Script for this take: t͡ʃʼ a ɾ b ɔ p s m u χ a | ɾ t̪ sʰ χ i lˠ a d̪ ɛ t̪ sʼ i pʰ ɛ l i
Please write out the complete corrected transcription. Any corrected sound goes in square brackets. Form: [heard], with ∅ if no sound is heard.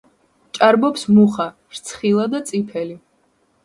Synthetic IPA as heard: t͡ʃʼ a ɾ b ɔ p s m u χ a | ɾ t̪ sʰ χ i lˠ a d̪ [a] t̪ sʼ i pʰ ɛ l i